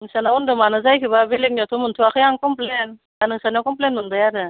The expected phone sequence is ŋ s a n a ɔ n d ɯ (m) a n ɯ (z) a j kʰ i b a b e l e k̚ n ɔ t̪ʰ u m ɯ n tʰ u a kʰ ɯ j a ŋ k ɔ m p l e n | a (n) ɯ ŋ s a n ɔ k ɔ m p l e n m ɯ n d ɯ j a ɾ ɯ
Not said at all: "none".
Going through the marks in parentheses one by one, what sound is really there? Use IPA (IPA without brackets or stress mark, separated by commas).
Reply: m, z, n